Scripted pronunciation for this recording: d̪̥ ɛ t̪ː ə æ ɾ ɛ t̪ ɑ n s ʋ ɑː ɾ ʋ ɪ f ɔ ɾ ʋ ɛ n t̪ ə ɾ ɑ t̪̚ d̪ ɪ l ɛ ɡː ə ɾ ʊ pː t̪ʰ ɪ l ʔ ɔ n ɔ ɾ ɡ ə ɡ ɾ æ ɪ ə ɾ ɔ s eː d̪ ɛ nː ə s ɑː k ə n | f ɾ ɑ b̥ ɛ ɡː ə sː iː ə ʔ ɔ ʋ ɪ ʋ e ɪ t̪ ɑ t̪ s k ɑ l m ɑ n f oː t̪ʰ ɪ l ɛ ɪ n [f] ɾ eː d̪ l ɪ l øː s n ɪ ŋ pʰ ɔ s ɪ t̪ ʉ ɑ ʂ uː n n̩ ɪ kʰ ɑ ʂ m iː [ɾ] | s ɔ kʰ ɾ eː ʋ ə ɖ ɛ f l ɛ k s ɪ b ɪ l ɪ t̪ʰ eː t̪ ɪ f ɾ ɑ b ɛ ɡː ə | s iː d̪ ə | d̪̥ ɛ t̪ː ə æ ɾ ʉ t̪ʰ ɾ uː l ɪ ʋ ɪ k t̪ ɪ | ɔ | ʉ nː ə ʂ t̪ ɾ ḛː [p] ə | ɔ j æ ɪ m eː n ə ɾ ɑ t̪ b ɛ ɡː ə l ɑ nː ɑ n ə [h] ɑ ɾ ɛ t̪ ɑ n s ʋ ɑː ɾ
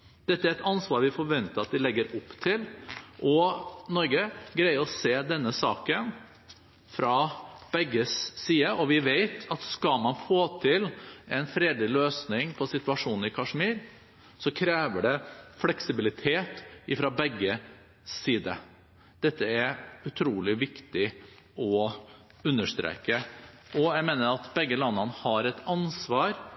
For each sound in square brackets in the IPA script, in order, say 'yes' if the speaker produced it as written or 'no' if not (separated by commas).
yes, yes, no, yes